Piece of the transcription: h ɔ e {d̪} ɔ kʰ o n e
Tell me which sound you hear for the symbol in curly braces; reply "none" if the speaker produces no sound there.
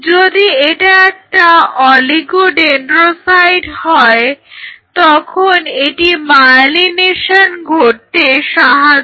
t̪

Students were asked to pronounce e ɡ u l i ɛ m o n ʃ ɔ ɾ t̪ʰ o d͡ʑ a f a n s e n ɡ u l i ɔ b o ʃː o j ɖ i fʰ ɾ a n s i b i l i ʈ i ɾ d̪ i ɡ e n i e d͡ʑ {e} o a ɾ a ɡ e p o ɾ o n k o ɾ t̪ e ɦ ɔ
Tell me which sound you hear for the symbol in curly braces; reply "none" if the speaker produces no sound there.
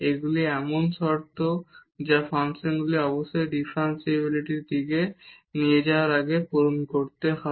a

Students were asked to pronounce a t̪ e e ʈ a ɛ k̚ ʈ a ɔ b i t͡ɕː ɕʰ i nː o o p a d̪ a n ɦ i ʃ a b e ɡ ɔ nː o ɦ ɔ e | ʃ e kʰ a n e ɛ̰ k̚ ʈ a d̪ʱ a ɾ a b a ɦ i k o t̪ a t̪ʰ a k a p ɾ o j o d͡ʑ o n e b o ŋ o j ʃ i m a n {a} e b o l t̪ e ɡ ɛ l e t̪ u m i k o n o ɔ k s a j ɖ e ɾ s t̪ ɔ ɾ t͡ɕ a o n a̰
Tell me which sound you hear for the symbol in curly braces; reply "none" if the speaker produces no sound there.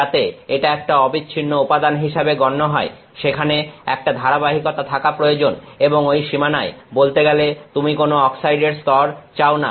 a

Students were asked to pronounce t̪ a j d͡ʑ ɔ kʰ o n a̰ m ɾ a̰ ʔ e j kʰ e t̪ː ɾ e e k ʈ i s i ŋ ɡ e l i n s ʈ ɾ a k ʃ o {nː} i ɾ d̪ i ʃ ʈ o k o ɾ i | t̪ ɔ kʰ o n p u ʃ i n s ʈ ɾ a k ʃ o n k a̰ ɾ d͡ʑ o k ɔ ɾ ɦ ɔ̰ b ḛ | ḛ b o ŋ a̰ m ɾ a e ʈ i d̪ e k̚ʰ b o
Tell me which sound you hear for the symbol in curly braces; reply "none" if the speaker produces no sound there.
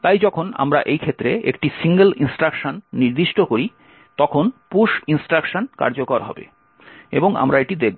nː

